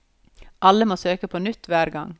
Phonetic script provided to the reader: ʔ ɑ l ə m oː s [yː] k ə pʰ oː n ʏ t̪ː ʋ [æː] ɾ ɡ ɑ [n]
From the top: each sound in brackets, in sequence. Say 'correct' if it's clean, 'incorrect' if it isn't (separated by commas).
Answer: incorrect, correct, incorrect